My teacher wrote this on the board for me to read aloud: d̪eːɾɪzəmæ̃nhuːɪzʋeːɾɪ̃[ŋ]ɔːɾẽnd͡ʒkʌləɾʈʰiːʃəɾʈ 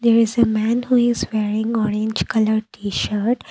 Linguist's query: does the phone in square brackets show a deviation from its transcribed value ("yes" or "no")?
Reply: no